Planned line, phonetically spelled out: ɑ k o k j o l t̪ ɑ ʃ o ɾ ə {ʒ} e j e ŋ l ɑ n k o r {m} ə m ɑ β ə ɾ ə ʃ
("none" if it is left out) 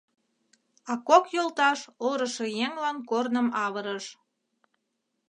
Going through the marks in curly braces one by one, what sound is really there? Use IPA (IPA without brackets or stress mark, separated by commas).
ʃ, n